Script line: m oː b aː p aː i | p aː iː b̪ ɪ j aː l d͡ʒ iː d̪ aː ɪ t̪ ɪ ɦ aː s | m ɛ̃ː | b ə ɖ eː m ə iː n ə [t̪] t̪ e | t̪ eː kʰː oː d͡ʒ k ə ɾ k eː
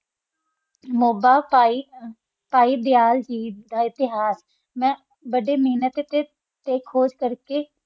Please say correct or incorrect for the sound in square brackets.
correct